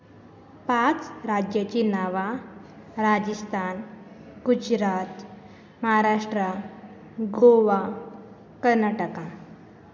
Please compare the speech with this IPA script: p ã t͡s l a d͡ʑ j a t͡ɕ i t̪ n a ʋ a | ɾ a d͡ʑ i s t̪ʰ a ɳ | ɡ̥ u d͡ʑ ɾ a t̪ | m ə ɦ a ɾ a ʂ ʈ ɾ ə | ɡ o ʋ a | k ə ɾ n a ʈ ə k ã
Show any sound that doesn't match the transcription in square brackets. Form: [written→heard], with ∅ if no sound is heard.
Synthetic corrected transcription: p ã t͡s [l→ɾ] a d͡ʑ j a t͡ɕ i [t̪→∅] n a ʋ a | ɾ a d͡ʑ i s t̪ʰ a [ɳ→n] | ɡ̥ u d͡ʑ ɾ a t̪ | m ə ɦ a ɾ a ʂ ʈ ɾ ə | ɡ o ʋ a | k ə ɾ n a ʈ ə k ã